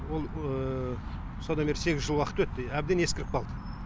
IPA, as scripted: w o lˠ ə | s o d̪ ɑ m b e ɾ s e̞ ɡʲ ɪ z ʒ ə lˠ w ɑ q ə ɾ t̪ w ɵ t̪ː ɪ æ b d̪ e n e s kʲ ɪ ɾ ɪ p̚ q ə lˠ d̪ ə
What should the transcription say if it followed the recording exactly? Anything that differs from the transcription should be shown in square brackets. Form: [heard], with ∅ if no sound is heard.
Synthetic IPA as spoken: w o lˠ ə | s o d̪ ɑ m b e ɾ s e̞ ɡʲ ɪ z ʒ ə lˠ w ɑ q ə [∅] t̪ w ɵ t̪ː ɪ æ b d̪ e n e s kʲ ɪ ɾ ɪ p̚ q [ɑ] lˠ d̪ ə

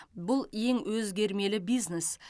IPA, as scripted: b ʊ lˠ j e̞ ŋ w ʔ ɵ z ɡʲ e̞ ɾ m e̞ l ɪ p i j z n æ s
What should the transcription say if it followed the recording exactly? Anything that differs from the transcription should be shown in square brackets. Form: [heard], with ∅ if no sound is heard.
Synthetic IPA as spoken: b ʊ lˠ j e̞ ŋ w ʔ ɵ z ɡʲ e̞ ɾ m e̞ l ɪ [b] i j z n [e] s

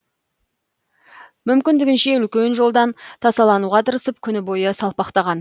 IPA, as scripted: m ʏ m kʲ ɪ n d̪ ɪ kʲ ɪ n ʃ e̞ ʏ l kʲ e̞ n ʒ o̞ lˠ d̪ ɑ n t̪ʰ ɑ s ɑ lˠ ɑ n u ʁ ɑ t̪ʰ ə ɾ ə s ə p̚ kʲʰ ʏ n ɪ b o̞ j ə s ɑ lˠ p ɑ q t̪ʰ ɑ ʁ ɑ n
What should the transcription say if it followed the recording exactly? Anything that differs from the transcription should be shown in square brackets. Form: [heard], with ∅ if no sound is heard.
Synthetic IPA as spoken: m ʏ m kʲ ɪ n d̪ ɪ [ɡʲ] ɪ n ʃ e̞ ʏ l kʲ e̞ n ʒ o̞ lˠ d̪ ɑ n t̪ʰ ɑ s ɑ lˠ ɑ n u ʁ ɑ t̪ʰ ə ɾ ə s ə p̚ kʲʰ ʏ n ɪ b o̞ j ə s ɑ lˠ p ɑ q [t̪] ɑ ʁ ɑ n

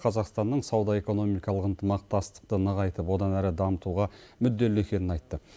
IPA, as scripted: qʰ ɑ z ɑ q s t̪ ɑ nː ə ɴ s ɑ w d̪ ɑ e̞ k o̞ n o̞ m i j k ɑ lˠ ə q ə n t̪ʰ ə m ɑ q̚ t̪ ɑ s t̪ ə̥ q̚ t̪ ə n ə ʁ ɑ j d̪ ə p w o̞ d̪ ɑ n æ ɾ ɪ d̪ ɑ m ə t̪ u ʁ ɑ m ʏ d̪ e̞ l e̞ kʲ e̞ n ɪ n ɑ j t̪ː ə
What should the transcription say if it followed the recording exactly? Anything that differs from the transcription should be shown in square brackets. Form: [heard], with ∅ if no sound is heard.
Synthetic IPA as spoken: qʰ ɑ z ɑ q s t̪ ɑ nː ə ɴ s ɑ w d̪ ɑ e̞ k o̞ n o̞ m i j k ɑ lˠ ə q ə n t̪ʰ ə m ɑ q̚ t̪ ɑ s t̪ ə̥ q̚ t̪ ə n ə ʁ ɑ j [t̪] ə p w o̞ d̪ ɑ n æ ɾ ɪ d̪ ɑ m ə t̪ u ʁ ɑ m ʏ [d̪ː] e̞ l e̞ kʲ e̞ n ɪ n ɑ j t̪ː ə

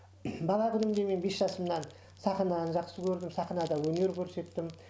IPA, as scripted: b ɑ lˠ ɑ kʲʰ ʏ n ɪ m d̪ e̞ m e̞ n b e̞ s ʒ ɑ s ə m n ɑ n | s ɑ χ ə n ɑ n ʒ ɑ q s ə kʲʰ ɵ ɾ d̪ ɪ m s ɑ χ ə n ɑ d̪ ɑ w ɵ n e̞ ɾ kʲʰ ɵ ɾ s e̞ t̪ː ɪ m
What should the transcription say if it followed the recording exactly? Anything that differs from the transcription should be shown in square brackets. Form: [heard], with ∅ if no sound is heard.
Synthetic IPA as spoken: b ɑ lˠ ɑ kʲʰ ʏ n ɪ m d̪ e̞ m e̞ n b e̞ s ʒ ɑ s ə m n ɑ n | s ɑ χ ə n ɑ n ʒ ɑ q s ə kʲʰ ɵ ɾ d̪ ɪ m s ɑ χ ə n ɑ d̪ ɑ w ɵ n e̞ ɾ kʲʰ ɵ ɾ s e̞ t̪ː ɪ m

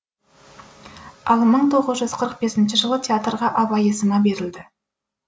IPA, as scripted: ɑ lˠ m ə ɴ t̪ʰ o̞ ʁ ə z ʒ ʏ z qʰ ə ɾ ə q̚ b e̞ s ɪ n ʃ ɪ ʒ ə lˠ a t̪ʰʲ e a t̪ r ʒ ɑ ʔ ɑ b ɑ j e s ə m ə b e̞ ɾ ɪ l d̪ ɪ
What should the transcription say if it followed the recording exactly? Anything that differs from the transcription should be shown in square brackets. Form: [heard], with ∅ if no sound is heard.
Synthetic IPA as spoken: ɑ lˠ m ə ɴ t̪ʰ o̞ ʁ ə z ʒ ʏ z qʰ ə ɾ ə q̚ b e̞ s ɪ n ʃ ɪ ʒ ə lˠ [ə] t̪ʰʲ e a t̪ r [ʁ] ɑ ʔ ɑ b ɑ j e s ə m [ɑ] b e̞ ɾ ɪ l d̪ ɪ

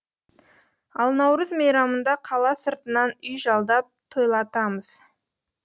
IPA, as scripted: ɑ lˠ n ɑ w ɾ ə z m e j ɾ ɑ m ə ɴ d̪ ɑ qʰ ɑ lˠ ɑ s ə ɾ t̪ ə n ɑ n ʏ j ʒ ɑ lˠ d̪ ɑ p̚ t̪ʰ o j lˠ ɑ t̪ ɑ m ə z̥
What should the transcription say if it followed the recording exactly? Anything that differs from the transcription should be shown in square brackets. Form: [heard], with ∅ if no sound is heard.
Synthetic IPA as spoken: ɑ lˠ n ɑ w ɾ ə z m e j ɾ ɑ m ə [n] d̪ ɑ qʰ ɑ lˠ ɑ s ə ɾ t̪ ə n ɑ n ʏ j ʒ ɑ lˠ d̪ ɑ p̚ t̪ʰ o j lˠ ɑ t̪ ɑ m ə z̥

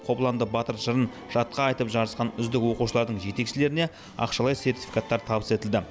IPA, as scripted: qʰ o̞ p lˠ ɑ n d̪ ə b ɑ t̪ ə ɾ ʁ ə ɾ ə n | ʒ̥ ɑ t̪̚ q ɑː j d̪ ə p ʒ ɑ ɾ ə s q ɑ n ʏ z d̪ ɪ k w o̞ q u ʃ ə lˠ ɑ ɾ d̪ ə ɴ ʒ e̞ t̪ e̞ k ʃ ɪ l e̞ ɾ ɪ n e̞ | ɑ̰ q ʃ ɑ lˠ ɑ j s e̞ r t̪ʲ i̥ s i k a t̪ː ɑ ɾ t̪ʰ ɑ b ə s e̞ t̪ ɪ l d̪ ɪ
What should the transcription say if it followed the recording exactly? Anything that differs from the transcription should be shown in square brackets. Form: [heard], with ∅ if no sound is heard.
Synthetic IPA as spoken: qʰ o̞ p lˠ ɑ n d̪ ə b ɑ t̪ ə ɾ [ʒ] ə ɾ ə n | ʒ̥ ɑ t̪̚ q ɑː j [t̪] ə p ʒ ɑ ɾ ə s q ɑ n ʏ z d̪ ɪ k w o̞ q u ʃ ə lˠ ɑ ɾ d̪ ə ɴ ʒ e̞ t̪ e̞ k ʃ ɪ l e̞ ɾ ɪ n e̞ | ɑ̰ q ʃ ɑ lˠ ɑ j s e̞ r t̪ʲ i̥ [f] i k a t̪ː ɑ ɾ t̪ʰ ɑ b ə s e̞ t̪ ɪ l d̪ ɪ

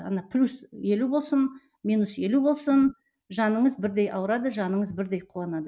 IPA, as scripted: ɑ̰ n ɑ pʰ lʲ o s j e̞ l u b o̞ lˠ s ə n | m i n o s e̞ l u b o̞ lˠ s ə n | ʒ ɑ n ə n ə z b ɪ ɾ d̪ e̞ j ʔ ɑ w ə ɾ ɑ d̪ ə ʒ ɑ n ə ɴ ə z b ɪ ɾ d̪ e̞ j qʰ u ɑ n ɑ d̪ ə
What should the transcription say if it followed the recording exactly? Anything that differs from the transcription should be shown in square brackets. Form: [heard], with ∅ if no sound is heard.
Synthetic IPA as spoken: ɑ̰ n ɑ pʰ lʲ [u] s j e̞ l u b o̞ lˠ s ə n | m i n [u] s e̞ l u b o̞ lˠ s ə n | ʒ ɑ n ə [ɴ] ə z b ɪ ɾ d̪ e̞ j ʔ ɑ w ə ɾ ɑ d̪ ə ʒ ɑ n ə ɴ ə z b ɪ ɾ d̪ e̞ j qʰ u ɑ n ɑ d̪ ə

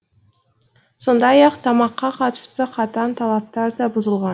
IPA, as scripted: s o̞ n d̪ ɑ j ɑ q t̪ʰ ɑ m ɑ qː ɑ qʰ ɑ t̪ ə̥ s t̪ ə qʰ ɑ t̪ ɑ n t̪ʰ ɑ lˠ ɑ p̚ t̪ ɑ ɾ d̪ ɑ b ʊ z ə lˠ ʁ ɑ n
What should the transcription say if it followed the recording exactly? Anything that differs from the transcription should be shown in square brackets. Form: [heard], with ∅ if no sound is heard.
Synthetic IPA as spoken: s o̞ n d̪ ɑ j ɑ q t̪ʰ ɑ m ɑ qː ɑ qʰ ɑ t̪ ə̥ s t̪ ə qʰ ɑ t̪ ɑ n t̪ʰ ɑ lˠ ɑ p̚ t̪ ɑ ɾ d̪ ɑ b ʊ z ə lˠ ʁ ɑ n

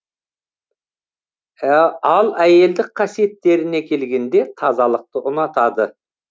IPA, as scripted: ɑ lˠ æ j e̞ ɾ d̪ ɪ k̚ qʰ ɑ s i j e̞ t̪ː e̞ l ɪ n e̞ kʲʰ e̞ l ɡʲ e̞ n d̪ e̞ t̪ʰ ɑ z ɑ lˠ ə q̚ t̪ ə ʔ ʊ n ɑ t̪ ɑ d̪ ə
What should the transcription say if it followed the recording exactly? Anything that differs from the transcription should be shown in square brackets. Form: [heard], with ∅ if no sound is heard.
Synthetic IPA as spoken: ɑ lˠ æ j e̞ [l] d̪ ɪ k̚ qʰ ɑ s i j e̞ t̪ː e̞ [ɾ] ɪ n e̞ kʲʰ e̞ l ɡʲ e̞ n d̪ e̞ t̪ʰ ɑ z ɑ lˠ ə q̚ t̪ ə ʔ ʊ n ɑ t̪ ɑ d̪ ə

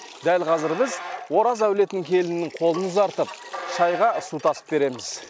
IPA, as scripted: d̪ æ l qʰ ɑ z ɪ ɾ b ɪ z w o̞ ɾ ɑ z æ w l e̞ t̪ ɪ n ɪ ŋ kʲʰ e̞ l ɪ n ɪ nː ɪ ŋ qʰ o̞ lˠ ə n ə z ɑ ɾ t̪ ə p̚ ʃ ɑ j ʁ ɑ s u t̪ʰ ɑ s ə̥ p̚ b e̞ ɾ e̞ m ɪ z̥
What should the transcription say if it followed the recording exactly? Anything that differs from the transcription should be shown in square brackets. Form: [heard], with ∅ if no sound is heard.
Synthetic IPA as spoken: d̪ æ l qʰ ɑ z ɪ ɾ b ɪ z w o̞ ɾ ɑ z æ w l e̞ t̪ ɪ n ɪ ŋ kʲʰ e̞ l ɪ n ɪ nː ɪ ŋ qʰ o̞ lˠ ə n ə z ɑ ɾ t̪ ə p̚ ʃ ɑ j ʁ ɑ s u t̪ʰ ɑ s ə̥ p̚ b e̞ ɾ e̞ m ɪ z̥

